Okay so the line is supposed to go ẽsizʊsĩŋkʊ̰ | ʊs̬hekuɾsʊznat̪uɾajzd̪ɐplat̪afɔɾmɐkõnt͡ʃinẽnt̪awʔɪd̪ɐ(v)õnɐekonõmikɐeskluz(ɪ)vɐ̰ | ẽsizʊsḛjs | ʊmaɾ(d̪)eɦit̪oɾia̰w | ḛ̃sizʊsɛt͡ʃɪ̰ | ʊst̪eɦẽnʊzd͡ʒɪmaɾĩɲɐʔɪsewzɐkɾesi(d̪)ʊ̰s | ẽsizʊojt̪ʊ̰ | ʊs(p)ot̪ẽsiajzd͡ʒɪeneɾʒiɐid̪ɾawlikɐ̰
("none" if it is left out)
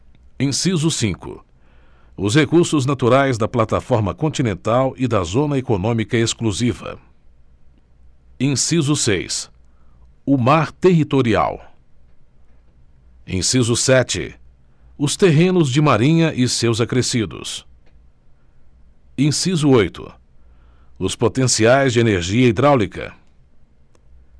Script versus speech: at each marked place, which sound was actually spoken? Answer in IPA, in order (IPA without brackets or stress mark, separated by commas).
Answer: z, i, t̪, d̪, p